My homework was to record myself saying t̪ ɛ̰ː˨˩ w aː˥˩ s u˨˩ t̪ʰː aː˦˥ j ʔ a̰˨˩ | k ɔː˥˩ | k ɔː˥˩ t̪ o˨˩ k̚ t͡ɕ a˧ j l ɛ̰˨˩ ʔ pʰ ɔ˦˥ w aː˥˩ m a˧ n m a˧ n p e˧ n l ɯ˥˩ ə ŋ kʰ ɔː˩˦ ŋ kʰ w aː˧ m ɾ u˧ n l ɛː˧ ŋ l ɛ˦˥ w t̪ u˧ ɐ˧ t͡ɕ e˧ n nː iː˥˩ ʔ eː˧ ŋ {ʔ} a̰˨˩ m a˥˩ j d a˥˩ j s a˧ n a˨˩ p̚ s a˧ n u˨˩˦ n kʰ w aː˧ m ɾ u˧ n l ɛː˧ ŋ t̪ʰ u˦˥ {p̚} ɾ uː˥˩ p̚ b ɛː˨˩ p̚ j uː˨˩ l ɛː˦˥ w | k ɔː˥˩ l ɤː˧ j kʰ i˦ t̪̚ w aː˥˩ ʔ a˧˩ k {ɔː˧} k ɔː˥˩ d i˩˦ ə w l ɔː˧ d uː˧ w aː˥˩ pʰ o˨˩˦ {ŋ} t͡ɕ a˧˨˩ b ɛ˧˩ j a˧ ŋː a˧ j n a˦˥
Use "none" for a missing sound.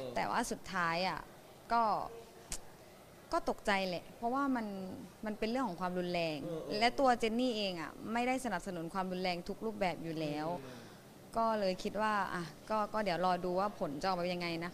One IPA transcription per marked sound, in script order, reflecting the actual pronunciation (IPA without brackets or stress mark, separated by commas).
ʔ, k̚, ɔː˥˩, n